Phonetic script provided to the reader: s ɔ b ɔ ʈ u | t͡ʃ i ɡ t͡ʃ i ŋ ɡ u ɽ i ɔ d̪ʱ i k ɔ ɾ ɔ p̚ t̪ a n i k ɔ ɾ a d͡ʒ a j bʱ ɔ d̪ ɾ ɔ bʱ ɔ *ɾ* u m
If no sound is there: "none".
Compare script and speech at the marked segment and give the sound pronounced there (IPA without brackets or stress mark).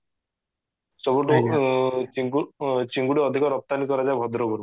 ɾ